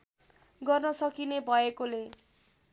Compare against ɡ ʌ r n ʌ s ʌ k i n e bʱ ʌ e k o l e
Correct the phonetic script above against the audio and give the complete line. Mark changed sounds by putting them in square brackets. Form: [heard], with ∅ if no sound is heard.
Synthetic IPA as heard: ɡ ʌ r n ʌ s ʌ k i n e bʱ ʌ e k o l e